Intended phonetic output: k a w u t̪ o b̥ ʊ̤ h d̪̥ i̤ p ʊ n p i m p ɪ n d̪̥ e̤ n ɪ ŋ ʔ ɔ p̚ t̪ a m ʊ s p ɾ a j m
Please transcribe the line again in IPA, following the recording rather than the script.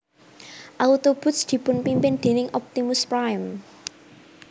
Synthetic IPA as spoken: ʔ a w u t̪ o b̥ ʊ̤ s d̪̥ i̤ p ʊ n p i m p ɪ n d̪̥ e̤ n ɪ ŋ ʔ ɔ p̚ t̪ i m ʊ s p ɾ a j m